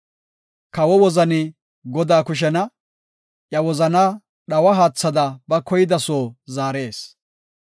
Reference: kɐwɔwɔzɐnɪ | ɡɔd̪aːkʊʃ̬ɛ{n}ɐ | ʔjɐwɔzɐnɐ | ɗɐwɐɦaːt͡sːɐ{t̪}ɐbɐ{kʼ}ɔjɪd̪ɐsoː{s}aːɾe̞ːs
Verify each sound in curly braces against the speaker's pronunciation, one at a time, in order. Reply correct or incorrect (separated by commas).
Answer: correct, incorrect, incorrect, incorrect